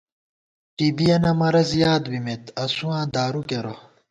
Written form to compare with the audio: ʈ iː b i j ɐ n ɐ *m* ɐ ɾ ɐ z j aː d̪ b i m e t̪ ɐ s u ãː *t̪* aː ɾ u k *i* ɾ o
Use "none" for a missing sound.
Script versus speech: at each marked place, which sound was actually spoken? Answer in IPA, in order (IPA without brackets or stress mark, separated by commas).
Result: m, d̪, e